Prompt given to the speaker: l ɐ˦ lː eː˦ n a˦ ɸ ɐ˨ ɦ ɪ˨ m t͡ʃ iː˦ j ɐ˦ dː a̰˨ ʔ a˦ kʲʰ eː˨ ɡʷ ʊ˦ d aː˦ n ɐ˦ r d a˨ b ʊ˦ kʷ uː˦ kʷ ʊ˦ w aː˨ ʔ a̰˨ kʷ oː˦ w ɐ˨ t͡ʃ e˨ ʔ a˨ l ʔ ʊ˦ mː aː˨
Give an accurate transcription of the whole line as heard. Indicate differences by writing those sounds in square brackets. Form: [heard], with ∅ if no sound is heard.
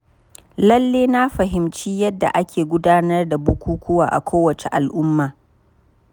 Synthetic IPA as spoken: l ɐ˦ lː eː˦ n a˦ ɸ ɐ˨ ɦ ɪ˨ m t͡ʃ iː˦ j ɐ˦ dː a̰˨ ʔ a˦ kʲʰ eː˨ ɡʷ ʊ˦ d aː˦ n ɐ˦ r d a˨ b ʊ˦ kʷ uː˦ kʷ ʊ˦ w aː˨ ʔ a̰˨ kʷ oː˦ w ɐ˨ t͡ʃ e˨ ʔ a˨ l ʔ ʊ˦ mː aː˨